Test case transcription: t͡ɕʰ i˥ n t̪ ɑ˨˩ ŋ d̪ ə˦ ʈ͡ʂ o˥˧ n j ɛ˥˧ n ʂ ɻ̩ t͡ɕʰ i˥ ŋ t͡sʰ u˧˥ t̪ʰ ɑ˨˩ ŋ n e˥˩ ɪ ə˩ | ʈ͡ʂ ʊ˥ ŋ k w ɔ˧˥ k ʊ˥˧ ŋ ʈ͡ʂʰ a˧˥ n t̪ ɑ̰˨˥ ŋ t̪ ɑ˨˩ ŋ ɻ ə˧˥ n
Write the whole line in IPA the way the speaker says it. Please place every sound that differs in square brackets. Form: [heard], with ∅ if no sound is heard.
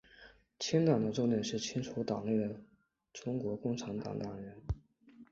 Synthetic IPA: t͡ɕʰ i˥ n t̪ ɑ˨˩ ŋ d̪ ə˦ ʈ͡ʂ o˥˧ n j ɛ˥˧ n ʂ ɻ̩ t͡ɕʰ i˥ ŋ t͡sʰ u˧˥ [t̪] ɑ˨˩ ŋ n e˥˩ ɪ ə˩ | ʈ͡ʂ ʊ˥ ŋ k w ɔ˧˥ k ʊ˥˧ ŋ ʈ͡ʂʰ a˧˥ n t̪ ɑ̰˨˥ ŋ t̪ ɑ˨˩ ŋ ɻ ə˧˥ n